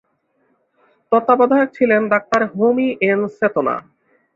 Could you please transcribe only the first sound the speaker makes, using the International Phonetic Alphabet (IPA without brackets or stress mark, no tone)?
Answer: t̪